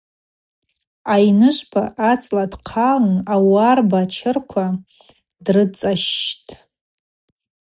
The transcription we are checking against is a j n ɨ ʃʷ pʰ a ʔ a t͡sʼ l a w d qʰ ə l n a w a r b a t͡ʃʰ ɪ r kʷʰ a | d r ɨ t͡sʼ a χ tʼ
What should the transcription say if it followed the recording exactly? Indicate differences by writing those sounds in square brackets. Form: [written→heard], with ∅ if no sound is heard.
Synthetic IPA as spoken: a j n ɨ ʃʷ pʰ a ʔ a t͡sʼ l a [w→∅] d qʰ [ə→a] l n a w a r b a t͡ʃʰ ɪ r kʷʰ a | d r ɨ t͡sʼ a [χ→ʃ] tʼ